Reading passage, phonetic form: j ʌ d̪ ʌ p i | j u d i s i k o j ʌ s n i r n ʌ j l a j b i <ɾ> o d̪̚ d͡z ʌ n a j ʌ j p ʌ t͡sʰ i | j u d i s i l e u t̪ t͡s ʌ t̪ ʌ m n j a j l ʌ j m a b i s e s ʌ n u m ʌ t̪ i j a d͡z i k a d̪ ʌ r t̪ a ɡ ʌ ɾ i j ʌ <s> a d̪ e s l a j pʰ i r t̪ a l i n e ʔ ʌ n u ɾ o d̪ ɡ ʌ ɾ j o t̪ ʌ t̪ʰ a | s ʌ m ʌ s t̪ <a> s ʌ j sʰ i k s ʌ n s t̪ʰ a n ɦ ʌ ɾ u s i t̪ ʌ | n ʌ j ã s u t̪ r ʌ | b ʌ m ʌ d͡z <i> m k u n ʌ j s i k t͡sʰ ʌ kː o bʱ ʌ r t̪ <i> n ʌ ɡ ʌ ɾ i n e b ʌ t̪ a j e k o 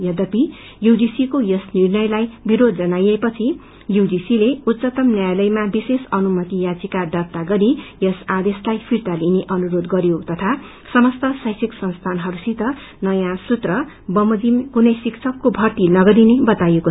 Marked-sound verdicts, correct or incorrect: correct, correct, incorrect: ʌ, correct, correct

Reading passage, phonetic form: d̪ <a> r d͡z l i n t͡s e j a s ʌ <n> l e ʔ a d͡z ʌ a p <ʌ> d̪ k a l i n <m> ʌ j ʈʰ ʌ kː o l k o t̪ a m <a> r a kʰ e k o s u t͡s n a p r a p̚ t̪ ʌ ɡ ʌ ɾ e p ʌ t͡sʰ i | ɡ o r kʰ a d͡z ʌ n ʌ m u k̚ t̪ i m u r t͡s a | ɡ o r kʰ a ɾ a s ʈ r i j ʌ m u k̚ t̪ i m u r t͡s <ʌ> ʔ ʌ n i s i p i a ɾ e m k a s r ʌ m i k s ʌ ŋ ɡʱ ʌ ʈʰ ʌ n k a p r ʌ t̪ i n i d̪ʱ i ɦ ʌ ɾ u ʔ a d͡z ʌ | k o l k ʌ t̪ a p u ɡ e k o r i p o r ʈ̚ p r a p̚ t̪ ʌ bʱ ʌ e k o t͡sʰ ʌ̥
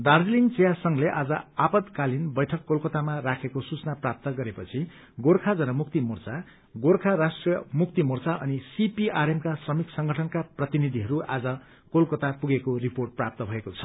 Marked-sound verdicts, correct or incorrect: correct, incorrect: ŋ, correct, incorrect: b, correct, incorrect: a

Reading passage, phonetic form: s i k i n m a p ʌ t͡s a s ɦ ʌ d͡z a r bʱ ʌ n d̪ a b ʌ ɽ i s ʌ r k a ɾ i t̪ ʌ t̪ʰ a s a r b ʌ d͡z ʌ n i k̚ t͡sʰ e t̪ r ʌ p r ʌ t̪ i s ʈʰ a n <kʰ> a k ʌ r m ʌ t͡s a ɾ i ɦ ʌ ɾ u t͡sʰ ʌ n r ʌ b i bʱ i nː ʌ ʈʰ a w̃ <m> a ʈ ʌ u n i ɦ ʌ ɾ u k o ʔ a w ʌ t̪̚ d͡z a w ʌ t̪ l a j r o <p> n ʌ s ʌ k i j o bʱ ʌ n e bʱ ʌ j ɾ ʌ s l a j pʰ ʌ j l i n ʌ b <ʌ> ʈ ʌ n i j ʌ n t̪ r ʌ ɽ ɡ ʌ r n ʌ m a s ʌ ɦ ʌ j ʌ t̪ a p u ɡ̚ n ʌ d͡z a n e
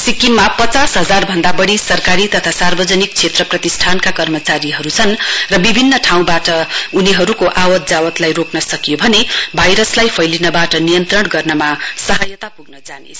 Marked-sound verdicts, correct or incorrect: incorrect: k, incorrect: b, incorrect: k, incorrect: a

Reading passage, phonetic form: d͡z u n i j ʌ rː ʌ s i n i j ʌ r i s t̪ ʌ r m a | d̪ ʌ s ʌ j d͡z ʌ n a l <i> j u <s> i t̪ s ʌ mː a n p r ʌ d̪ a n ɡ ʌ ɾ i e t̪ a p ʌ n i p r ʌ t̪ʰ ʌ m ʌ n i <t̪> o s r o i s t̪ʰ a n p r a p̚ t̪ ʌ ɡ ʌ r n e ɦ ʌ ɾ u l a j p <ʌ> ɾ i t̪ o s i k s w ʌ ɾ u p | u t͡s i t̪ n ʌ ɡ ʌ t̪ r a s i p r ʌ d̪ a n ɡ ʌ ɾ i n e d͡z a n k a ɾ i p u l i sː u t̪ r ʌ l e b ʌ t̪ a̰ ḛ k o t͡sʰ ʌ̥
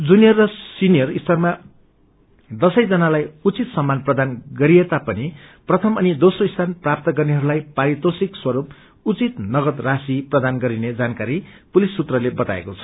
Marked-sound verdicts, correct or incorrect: incorrect: a, incorrect: t͡s, incorrect: d̪, incorrect: a

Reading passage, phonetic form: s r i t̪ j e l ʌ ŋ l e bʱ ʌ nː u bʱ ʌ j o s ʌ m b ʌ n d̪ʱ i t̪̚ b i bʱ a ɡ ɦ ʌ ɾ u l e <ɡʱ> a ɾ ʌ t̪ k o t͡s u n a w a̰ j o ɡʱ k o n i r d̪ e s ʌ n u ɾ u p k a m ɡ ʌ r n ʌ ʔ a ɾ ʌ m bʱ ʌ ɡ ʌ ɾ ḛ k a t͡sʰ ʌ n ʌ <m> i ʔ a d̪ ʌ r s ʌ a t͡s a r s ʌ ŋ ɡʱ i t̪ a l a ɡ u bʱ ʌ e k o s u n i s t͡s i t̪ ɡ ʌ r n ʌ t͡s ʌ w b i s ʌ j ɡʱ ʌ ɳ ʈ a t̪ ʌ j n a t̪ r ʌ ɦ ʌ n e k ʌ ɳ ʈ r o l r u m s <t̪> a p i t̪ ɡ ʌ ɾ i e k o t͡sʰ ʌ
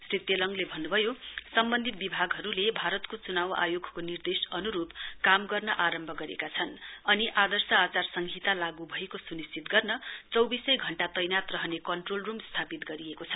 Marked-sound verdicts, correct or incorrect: incorrect: bʱ, incorrect: n, incorrect: t̪ʰ

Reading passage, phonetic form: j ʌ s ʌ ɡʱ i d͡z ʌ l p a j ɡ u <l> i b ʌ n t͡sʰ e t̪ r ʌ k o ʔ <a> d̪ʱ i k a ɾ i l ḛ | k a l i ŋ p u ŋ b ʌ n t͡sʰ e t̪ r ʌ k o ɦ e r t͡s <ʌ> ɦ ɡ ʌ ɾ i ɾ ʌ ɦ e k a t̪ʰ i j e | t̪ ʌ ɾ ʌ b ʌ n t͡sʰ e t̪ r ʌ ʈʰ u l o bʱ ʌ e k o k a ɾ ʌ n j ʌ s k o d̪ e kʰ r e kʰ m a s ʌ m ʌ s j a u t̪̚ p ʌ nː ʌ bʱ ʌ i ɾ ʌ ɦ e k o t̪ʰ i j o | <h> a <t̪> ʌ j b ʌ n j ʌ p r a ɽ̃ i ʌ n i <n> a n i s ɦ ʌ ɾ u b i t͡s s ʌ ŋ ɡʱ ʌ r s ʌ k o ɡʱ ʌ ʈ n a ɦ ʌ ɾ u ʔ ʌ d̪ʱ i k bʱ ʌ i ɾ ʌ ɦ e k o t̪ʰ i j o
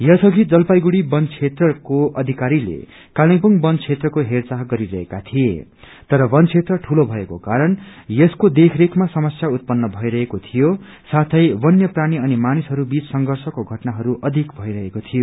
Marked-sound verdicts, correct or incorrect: incorrect: ɽ, incorrect: ʌ, incorrect: a, incorrect: s, incorrect: t̪ʰ, incorrect: m

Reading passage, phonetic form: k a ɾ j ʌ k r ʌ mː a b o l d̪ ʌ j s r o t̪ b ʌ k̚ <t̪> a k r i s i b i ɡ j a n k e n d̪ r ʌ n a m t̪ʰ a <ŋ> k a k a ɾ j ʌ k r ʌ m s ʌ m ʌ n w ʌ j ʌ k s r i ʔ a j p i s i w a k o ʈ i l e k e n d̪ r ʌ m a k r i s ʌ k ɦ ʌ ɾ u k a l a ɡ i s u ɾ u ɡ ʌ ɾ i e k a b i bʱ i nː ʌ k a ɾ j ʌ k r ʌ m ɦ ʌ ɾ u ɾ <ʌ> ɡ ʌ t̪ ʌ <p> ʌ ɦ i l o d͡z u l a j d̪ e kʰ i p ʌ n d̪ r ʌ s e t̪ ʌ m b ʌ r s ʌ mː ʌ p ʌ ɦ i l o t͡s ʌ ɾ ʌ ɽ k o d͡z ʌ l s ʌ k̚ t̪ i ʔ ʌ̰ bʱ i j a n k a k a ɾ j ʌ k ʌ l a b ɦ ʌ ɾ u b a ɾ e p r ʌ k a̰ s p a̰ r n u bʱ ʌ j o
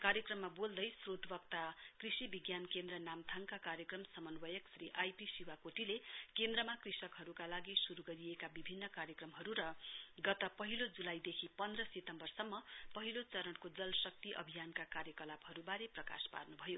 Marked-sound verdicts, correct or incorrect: correct, correct, correct, correct

